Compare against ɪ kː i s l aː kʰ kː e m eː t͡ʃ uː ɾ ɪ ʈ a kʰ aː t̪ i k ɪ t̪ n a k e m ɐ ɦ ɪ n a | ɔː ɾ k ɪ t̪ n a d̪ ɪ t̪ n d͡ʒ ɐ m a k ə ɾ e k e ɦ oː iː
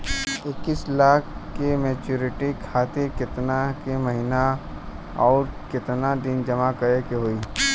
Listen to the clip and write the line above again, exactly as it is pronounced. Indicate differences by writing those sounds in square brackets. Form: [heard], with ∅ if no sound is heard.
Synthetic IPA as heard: ɪ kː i s l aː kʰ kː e m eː t͡ʃ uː ɾ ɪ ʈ [i] kʰ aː t̪ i k ɪ t̪ n a k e m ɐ ɦ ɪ n a | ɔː ɾ k ɪ t̪ n a d̪ ɪ [∅] n d͡ʒ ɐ m a k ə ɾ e k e ɦ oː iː